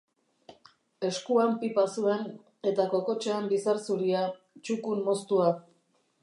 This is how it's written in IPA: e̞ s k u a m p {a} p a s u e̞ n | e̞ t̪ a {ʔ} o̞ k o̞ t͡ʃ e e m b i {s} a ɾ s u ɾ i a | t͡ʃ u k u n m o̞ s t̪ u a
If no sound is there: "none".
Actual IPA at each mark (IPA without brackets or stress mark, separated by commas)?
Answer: i, k, s